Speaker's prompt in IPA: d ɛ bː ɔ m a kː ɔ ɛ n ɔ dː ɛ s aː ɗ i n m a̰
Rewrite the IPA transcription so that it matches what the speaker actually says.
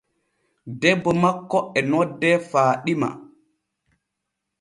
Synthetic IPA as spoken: d ɛ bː ɔ m a kː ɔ ɛ n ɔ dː ɛ f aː ɗ i m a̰